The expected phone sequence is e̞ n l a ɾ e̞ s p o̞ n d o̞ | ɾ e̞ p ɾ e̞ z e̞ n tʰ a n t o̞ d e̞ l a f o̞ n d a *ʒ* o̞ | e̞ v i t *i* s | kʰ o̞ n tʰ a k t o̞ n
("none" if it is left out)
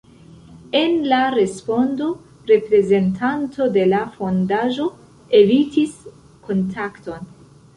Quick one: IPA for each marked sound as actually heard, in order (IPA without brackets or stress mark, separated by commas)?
ʒ, i